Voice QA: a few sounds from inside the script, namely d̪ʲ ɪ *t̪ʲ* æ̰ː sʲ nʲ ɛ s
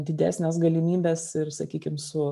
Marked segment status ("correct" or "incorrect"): incorrect